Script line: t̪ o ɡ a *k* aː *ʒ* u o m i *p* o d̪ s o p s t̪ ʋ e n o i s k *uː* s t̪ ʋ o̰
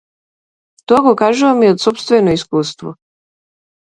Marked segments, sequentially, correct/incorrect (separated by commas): correct, correct, incorrect, correct